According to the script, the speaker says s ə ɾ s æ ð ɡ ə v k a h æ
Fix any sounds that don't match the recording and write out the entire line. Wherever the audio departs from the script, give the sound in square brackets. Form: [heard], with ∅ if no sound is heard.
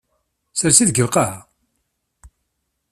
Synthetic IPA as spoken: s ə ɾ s [i] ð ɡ ə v [q] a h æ